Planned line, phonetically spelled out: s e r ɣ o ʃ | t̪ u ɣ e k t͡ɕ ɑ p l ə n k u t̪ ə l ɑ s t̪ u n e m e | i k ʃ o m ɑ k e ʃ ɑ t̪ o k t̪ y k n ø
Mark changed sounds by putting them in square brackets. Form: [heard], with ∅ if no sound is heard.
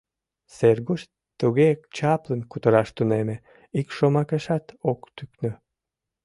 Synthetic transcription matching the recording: s e r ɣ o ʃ | t̪ u ɣ e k t͡ɕ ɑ p l ə n k u t̪ ə [ɾ] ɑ [ʃ] t̪ u n e m e | i k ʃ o m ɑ k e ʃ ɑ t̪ o k t̪ y k n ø